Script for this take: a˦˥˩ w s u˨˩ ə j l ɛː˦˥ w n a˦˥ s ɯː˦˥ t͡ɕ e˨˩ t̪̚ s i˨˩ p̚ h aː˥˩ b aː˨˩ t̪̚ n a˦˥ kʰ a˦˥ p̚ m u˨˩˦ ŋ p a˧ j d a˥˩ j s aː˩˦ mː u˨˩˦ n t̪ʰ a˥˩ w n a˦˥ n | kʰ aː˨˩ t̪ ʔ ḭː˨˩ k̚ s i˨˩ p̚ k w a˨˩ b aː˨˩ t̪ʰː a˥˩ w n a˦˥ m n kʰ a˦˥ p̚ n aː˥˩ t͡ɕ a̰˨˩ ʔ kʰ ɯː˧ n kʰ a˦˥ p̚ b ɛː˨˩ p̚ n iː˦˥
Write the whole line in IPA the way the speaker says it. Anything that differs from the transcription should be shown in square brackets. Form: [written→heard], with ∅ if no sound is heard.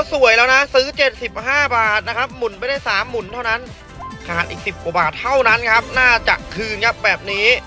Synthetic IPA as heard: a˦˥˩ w s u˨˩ ə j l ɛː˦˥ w n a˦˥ s ɯː˦˥ t͡ɕ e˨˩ t̪̚ s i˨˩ p̚ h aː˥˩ b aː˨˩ t̪̚ n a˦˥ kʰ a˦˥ p̚ m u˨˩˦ [ŋ→n] p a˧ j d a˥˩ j s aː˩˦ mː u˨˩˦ n t̪ʰ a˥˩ w n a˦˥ n | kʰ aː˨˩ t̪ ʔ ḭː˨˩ k̚ s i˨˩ p̚ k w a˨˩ b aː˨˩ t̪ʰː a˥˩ w n a˦˥ [m→∅] n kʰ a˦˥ p̚ n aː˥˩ t͡ɕ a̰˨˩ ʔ kʰ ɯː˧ n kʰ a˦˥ p̚ b ɛː˨˩ p̚ n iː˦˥